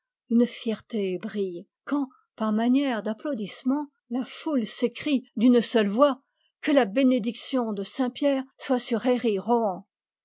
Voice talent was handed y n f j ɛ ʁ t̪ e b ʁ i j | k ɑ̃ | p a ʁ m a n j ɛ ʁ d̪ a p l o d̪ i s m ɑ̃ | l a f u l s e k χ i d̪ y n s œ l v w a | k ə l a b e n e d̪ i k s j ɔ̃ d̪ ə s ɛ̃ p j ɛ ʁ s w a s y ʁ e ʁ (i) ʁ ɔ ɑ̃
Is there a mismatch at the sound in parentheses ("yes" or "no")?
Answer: no